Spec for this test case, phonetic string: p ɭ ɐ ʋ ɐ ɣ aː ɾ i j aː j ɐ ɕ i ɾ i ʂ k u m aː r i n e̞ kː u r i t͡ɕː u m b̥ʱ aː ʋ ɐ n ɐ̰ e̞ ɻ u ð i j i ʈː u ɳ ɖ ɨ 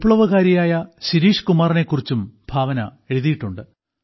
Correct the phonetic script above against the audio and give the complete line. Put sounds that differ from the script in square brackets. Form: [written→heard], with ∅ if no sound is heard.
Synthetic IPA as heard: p ɭ ɐ ʋ ɐ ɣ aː ɾ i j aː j ɐ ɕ i ɾ [i→iː] ʂ k u m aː r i n e̞ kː u r i t͡ɕː u m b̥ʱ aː ʋ ɐ n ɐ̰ e̞ ɻ u ð i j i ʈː u ɳ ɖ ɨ